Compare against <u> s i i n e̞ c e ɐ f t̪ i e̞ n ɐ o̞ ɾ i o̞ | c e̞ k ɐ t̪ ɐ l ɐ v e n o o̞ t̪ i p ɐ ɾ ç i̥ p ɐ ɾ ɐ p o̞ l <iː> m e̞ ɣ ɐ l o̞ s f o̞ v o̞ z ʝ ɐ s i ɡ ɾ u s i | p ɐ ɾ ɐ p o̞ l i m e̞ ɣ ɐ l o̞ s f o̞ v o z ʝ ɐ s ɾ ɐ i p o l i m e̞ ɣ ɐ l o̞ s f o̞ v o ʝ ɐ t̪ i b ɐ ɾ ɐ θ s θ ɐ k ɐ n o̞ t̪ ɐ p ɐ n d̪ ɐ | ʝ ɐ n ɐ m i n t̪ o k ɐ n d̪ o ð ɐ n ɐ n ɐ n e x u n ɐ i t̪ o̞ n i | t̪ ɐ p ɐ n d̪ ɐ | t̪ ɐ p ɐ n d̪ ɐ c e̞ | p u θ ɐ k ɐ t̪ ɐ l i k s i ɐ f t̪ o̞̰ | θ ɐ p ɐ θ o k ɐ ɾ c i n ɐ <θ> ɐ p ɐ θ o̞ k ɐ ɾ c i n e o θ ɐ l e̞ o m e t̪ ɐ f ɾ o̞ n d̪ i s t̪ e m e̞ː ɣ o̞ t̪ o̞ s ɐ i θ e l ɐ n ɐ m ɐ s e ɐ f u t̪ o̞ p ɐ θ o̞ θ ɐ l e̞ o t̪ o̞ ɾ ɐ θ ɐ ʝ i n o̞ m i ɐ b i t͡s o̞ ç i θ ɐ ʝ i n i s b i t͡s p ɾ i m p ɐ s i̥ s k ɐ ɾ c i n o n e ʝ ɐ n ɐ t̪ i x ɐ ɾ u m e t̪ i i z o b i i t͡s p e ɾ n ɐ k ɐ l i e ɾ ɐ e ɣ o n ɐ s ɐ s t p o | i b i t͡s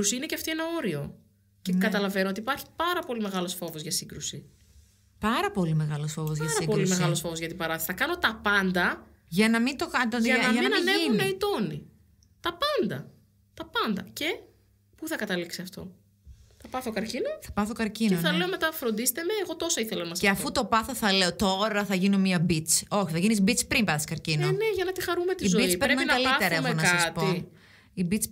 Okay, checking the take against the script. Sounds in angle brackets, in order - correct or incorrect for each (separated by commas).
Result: correct, incorrect, correct